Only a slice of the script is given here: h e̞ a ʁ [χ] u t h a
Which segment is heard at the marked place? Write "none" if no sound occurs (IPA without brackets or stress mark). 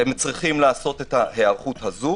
χ